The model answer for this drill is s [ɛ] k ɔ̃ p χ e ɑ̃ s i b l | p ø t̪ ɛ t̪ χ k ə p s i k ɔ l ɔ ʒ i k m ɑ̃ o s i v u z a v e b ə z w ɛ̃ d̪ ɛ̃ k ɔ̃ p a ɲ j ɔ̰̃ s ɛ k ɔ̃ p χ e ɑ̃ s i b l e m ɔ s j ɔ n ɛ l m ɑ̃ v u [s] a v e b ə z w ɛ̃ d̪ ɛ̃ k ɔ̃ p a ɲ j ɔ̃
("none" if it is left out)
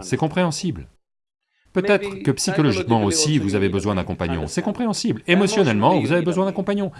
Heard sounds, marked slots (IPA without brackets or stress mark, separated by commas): ɛ, z